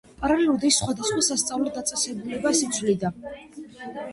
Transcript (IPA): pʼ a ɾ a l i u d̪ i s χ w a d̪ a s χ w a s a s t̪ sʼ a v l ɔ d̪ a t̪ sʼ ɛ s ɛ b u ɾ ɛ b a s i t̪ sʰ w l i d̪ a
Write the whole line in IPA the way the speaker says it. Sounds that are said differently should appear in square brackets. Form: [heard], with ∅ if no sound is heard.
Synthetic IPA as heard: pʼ a ɾ a l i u d̪ i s χ w a d̪ a s χ w a s a s t̪ sʼ a v l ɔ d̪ a t̪ sʼ ɛ s ɛ b u [l] ɛ b a s i t̪ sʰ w l i d̪ a